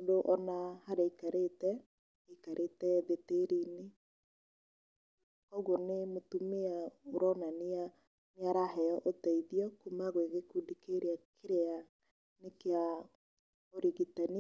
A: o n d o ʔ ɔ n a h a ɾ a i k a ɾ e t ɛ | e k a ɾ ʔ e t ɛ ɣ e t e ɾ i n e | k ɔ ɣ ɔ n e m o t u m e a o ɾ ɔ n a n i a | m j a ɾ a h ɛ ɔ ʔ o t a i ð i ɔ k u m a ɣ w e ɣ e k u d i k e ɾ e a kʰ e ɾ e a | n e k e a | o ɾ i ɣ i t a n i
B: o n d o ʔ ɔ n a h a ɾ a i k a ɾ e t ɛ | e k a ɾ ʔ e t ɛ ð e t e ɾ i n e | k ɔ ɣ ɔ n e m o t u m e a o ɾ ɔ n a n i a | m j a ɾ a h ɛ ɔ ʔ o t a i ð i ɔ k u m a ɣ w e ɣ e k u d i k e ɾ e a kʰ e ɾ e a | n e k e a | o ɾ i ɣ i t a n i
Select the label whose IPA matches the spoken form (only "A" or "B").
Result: B